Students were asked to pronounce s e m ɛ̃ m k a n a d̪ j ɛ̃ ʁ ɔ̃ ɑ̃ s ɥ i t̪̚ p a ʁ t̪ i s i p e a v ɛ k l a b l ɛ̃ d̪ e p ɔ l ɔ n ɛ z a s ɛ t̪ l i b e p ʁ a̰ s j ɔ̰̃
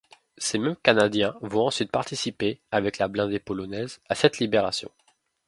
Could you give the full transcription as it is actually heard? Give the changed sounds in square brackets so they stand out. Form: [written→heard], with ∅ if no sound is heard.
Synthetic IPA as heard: s e m [ɛ̃→ɛ] m k a n a d̪ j ɛ̃ [ʁ→v] ɔ̃ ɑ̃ s ɥ i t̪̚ p a ʁ t̪ i s i p e a v ɛ k l a b l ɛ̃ d̪ e p ɔ l ɔ n ɛ z a s ɛ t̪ l i b e [p→∅] ʁ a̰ s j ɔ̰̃